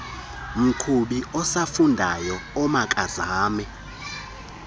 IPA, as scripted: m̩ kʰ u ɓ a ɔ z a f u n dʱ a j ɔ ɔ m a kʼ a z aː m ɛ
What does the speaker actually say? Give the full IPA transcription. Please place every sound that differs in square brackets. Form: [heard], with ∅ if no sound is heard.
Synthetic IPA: m̩ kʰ u ɓ [i] ɔ [s] a f u n dʱ a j ɔ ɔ m a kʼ a z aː m ɛ